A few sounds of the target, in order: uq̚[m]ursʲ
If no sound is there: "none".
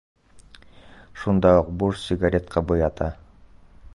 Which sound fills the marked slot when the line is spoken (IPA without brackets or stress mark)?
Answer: b